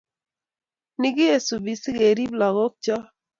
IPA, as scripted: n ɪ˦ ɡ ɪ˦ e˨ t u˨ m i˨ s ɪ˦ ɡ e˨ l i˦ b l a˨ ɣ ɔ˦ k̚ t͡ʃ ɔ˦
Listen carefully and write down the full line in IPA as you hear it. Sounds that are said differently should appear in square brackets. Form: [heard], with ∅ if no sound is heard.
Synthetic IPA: n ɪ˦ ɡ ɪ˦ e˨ [s] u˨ [b] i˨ s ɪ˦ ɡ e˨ [ɾ] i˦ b l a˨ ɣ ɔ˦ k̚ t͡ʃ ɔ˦